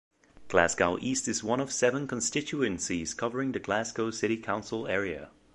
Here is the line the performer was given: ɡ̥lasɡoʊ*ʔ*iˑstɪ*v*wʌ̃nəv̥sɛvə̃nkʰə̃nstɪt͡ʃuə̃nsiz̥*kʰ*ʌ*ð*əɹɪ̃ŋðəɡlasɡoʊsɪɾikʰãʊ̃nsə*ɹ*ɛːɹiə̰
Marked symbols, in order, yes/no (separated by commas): yes, no, yes, no, no